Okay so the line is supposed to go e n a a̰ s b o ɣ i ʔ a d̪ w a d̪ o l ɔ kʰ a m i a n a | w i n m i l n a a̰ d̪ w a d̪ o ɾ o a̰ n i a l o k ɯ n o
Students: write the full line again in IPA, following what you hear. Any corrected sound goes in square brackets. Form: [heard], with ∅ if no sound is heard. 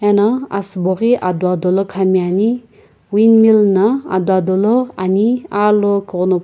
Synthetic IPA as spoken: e n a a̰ s b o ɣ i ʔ a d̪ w a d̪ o l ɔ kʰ a m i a n [i] | w i n m i l n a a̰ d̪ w a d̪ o [l] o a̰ n i a l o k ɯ n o

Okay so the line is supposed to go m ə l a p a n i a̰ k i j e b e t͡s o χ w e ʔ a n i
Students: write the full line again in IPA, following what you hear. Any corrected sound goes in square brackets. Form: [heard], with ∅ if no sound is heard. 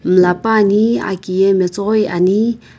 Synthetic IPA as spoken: m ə l a p a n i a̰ k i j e [m] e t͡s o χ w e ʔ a n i

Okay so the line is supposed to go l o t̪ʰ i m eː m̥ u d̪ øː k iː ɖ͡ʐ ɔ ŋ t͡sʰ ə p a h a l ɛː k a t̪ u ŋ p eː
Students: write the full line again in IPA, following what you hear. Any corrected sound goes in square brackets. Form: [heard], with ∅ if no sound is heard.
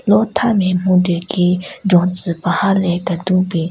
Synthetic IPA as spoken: l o t̪ʰ [a] m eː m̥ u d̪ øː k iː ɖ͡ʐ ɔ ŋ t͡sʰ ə p a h a l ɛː k a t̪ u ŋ p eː

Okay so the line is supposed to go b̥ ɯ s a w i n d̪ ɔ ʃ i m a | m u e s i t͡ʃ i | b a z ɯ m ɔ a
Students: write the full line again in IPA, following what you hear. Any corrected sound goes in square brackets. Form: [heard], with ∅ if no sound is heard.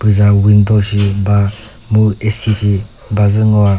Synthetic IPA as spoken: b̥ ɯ [z] a w i n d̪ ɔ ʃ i [b] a | m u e s i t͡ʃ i | b a z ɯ [ŋ] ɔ a

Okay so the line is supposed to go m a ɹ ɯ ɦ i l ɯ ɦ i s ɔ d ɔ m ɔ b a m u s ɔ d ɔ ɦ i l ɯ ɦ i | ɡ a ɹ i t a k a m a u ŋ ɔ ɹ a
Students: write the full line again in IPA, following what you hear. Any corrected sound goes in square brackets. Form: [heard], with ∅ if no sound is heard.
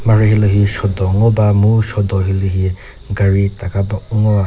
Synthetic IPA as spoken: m a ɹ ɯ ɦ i l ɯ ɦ i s ɔ d ɔ [ŋ] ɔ b a m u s ɔ d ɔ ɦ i l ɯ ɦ i | ɡ a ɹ i t a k a [b] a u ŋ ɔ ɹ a

